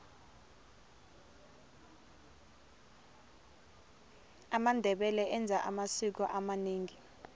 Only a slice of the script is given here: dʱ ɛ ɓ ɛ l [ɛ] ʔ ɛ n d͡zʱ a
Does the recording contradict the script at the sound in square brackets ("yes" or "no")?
no